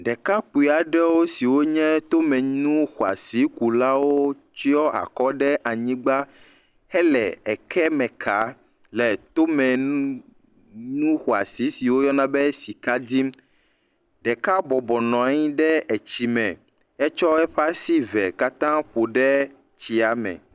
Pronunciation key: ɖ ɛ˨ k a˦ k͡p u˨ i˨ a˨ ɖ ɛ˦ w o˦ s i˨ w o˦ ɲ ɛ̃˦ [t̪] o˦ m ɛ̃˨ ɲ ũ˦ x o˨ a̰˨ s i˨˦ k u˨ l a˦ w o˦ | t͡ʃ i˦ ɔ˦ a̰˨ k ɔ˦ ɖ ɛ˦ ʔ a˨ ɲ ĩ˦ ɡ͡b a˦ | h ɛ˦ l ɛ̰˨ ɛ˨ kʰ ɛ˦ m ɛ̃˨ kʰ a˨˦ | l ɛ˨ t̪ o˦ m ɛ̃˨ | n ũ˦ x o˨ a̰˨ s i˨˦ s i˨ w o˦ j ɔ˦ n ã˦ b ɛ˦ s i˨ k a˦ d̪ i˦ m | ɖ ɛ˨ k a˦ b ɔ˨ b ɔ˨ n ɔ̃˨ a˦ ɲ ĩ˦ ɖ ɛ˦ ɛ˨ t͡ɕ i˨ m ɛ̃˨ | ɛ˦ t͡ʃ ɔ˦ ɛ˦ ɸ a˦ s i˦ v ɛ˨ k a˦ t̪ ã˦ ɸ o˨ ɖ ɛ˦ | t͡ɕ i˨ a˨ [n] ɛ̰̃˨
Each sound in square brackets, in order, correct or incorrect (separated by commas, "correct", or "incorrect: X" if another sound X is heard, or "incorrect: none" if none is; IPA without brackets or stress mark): correct, incorrect: m